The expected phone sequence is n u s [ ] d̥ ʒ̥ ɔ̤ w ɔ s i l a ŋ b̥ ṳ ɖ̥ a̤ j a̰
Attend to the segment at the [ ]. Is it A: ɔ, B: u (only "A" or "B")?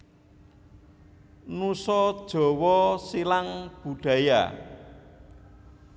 A